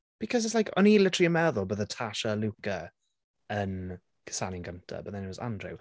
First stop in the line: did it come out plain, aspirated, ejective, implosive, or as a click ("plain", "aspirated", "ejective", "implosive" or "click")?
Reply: plain